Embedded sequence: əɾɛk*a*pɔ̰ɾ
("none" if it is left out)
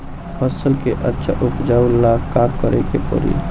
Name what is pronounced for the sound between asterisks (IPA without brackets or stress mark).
e